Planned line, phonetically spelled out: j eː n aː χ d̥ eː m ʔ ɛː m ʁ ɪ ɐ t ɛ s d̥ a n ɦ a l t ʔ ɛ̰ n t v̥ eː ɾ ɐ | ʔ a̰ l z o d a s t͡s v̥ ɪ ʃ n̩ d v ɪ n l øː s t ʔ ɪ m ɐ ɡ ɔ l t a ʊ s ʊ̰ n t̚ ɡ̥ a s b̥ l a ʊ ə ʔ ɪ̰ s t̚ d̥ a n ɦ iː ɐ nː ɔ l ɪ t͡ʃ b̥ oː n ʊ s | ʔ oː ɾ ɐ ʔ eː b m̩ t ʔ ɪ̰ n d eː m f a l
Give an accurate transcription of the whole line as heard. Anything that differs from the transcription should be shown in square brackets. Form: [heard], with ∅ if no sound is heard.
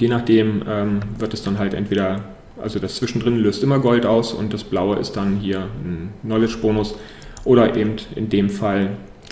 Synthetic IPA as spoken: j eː n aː χ d̥ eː m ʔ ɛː m [v] ɪ ɐ t ɛ s d̥ a n ɦ a l t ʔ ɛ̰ n t v̥ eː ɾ ɐ | ʔ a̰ l z o d a s t͡s v̥ ɪ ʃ n̩ d [ʁ] ɪ n l øː s t ʔ ɪ m ɐ ɡ ɔ l t a ʊ s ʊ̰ n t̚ [d̥] a s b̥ l a ʊ ə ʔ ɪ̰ s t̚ d̥ a n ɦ iː ɐ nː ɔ l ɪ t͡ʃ b̥ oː n ʊ s | ʔ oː ɾ ɐ ʔ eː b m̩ t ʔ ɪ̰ n d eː m f a l